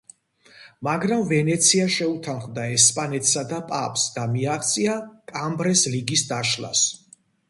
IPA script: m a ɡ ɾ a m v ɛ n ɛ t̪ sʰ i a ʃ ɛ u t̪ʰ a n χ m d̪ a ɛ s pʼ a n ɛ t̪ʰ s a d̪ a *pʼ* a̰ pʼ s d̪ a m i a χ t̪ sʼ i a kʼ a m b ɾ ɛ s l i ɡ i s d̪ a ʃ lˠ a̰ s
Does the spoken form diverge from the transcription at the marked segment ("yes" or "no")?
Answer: no